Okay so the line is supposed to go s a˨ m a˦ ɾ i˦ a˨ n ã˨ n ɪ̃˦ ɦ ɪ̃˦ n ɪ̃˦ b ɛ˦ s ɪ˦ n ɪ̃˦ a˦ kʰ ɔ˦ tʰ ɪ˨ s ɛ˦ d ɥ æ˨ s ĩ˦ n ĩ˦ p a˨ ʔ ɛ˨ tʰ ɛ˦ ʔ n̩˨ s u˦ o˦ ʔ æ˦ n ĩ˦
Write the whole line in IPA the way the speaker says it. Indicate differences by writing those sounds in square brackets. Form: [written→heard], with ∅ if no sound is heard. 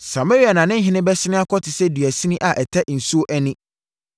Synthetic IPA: s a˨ m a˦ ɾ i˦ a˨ n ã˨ n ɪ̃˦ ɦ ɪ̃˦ n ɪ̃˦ b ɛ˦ s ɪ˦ n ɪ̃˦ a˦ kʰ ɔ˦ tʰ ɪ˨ s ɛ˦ d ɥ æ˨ s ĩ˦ n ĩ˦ [p→ʔ] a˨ ʔ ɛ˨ tʰ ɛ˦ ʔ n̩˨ s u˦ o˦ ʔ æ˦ n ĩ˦

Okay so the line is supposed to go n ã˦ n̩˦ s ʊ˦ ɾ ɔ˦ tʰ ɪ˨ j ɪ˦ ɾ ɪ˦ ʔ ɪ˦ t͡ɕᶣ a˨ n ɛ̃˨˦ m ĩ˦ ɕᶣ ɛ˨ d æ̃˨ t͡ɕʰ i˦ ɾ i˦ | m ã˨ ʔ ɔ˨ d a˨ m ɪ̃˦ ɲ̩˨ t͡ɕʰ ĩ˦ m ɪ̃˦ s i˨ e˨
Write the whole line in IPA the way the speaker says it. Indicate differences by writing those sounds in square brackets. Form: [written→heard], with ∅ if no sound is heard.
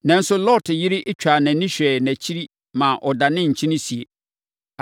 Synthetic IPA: n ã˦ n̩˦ s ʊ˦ [ɾ→l] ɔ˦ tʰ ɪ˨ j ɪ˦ ɾ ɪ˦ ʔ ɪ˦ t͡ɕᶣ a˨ n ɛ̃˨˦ [m→n] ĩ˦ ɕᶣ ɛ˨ [d→n] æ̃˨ t͡ɕʰ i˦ ɾ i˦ | m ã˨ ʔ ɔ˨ d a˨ [m→n] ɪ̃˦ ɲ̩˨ t͡ɕʰ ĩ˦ [m→n] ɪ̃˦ s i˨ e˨

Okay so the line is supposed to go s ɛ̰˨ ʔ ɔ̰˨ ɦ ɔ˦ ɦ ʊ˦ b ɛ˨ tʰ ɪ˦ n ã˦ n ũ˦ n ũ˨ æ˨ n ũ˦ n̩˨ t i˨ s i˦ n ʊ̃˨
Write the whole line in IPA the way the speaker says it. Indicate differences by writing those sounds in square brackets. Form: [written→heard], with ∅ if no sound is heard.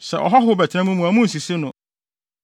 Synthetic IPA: s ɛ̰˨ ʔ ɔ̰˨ ɦ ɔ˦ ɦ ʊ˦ b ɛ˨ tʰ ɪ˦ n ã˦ [n→m] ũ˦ [n→m] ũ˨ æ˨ [n→m] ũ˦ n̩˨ [t→s] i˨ s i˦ n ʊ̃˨

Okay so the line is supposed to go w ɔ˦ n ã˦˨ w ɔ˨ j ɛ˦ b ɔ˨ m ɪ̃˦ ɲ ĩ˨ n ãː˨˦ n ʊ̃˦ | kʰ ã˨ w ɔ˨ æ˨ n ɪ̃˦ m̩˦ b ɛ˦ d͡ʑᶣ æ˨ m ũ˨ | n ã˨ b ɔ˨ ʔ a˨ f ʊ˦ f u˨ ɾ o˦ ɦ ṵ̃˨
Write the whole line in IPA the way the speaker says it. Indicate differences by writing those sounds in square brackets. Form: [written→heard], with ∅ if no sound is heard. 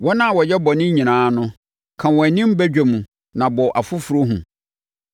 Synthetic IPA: w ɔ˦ n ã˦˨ w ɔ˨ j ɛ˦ b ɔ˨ [m→n] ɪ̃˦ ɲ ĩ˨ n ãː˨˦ n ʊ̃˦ | kʰ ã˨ w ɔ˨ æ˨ n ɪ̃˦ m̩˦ b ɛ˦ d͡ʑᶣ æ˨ m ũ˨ | n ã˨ b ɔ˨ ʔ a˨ f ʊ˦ f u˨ ɾ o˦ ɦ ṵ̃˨

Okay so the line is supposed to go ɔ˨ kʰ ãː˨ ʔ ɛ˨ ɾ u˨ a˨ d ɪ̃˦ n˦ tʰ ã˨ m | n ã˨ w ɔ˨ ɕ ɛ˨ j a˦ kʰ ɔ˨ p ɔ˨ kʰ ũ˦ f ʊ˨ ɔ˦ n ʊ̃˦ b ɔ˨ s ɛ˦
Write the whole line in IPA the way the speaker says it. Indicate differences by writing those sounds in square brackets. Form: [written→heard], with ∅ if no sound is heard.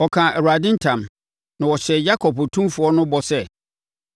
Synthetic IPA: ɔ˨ kʰ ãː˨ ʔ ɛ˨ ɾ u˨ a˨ d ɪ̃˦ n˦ tʰ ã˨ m | n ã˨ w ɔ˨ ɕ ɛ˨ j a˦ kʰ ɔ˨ p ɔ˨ [kʰ→tʰ] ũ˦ f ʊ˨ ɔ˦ n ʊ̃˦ b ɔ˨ s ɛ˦

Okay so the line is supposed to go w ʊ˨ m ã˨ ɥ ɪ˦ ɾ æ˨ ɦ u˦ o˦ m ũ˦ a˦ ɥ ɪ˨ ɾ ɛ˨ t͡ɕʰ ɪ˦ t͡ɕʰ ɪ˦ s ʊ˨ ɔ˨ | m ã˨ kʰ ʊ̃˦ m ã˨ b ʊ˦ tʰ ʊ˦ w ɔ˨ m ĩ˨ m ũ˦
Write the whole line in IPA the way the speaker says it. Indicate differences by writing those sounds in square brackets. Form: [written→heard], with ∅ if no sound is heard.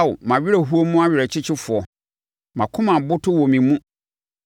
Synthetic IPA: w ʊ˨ m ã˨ ɥ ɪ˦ ɾ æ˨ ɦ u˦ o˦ m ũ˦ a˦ ɥ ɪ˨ ɾ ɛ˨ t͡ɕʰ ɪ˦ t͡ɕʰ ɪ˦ [s→f] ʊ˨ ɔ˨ | m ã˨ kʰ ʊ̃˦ m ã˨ b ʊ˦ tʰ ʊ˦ w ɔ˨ m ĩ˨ m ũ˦

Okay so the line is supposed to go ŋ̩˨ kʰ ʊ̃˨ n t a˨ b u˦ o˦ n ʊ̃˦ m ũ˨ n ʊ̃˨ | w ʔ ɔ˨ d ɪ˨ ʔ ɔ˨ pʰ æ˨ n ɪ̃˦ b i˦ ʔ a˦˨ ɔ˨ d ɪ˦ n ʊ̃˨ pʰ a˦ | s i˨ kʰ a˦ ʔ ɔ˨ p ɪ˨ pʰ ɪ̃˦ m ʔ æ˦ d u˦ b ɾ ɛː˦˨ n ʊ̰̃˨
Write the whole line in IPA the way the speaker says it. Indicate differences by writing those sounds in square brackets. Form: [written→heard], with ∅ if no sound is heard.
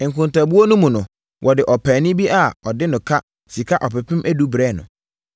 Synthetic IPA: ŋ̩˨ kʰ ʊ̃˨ n t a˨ b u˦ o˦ n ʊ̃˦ m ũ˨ n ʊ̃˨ | w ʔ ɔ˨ d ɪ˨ ʔ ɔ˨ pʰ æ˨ n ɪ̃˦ b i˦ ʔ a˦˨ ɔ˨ d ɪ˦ n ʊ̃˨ [pʰ→kʰ] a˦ | s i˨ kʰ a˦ ʔ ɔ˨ p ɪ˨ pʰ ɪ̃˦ m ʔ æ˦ d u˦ b ɾ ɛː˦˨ n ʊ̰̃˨

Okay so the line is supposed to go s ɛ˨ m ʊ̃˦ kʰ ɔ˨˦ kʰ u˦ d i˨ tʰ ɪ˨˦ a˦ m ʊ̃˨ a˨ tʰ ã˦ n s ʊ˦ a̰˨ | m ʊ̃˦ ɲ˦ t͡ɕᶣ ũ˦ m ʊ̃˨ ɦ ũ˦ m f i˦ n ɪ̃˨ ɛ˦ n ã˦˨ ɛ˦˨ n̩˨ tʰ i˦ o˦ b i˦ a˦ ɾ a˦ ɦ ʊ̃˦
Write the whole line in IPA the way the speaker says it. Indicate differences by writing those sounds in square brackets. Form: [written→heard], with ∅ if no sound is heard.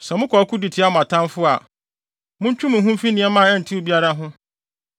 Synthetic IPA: s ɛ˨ m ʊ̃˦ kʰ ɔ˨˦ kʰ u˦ d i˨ tʰ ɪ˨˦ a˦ m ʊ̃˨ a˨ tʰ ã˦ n [s→f] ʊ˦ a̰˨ | m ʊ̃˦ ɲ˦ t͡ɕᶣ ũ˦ m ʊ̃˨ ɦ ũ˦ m f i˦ n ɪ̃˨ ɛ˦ [n→m] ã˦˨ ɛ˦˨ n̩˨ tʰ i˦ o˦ b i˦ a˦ ɾ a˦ ɦ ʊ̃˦

